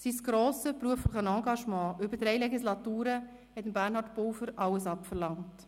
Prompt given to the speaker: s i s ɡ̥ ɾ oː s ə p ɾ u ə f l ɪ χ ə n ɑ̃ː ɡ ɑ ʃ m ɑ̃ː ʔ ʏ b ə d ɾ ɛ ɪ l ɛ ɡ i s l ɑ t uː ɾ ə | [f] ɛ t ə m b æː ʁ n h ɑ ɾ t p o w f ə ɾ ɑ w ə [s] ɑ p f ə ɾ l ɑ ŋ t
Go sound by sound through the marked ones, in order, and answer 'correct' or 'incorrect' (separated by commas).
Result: incorrect, correct